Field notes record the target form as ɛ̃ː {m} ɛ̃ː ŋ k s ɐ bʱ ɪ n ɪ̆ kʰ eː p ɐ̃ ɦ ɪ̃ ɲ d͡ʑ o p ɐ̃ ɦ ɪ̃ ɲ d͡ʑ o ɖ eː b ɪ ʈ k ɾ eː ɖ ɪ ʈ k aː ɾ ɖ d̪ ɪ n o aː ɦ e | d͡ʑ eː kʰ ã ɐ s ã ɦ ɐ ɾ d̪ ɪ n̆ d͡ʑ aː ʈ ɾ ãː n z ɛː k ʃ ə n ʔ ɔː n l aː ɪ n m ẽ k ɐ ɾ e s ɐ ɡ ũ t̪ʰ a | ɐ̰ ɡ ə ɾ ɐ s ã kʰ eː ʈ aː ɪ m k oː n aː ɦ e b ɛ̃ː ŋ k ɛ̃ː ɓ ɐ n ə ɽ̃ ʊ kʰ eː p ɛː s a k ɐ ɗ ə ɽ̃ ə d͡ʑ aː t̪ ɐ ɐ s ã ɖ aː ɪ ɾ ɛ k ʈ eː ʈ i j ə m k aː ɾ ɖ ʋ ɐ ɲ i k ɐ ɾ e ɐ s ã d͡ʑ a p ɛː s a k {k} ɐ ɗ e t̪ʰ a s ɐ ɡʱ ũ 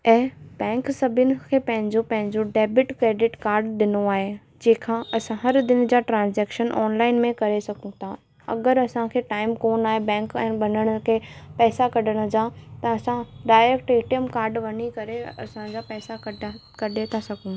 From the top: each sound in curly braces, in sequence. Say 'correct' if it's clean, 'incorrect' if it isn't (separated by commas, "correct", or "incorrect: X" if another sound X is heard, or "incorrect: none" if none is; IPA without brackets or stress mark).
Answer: incorrect: b, correct